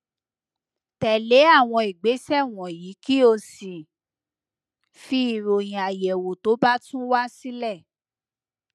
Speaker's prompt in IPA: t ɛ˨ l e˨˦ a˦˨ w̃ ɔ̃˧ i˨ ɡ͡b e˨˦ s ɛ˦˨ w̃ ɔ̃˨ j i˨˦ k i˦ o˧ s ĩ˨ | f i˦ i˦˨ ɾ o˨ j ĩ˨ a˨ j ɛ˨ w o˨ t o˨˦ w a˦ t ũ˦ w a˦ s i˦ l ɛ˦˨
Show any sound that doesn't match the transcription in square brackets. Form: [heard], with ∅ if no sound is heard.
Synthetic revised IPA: t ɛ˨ l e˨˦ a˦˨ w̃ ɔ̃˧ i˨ ɡ͡b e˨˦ s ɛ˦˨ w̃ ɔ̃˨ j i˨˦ k i˦ o˧ s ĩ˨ | f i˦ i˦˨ ɾ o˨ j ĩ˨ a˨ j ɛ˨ w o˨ t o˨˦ [b] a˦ t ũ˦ w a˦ s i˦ l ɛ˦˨